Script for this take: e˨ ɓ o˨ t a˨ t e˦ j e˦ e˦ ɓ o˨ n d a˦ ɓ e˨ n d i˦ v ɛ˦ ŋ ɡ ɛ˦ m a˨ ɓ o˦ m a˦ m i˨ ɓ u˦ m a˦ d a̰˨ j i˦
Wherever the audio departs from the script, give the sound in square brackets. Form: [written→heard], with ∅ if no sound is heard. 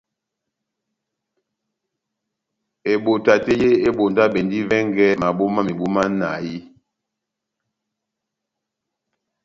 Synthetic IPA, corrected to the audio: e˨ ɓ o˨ t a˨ t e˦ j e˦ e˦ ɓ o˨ n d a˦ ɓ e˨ n d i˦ v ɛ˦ ŋ ɡ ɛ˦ m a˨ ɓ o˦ m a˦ m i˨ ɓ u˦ m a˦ [d→n] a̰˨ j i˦